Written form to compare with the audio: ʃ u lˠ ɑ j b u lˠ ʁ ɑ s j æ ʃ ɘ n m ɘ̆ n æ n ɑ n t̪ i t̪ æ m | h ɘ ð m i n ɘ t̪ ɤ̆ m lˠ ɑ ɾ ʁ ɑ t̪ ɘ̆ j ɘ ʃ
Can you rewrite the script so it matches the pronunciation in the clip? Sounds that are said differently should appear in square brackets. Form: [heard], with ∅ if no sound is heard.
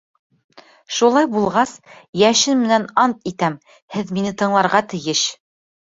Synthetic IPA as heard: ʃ u lˠ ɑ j b u lˠ ʁ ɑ s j æ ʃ ɘ n m ɘ̆ n æ n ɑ n t̪ i t̪ æ m | h ɘ ð m i n ɘ t̪ ɤ̆ [ɴ] lˠ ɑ ɾ ʁ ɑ t̪ ɘ̆ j ɘ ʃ